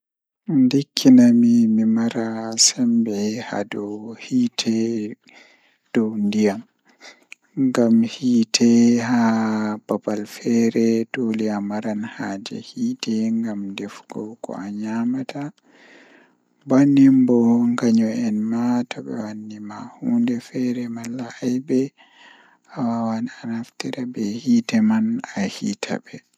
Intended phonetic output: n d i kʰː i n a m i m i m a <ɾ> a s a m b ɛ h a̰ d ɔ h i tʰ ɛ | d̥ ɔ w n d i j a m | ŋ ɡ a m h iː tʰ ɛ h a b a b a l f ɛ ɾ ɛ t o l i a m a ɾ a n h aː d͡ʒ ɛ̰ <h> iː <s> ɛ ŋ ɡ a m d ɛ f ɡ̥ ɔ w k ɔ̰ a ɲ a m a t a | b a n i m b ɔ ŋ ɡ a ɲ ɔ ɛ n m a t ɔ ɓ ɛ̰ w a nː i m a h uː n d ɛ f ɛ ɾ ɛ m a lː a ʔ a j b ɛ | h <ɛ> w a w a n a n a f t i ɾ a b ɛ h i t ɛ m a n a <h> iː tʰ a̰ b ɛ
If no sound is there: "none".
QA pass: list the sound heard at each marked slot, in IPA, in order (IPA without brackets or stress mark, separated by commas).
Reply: ɾ, h, t, a, h